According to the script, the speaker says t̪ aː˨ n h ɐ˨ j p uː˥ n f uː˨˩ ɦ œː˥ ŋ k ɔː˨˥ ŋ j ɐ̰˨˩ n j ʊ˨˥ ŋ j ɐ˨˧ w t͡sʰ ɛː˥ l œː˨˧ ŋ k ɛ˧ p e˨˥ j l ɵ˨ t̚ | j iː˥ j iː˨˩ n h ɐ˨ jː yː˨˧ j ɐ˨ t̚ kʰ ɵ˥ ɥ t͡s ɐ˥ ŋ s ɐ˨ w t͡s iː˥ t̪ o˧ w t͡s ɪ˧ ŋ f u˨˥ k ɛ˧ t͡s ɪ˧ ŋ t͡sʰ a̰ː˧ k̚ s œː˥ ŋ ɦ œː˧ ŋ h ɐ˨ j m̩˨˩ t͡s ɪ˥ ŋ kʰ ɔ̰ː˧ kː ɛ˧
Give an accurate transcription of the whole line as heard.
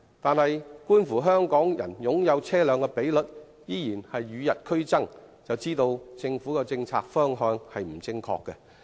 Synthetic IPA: t̪ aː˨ n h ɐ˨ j k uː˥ n f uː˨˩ ɦ œː˥ ŋ k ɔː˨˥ ŋ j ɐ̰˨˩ n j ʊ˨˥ ŋ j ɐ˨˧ w t͡sʰ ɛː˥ l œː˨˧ ŋ k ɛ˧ p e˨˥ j l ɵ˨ t̚ | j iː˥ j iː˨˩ n h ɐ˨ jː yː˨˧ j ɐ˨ t̚ kʰ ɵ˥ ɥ t͡s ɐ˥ ŋ t͡s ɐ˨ w t͡s iː˥ t̪ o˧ w t͡s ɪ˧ ŋ f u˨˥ k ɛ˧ t͡s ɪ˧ ŋ t͡sʰ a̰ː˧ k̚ f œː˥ ŋ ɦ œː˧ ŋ h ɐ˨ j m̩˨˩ t͡s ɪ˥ ŋ kʰ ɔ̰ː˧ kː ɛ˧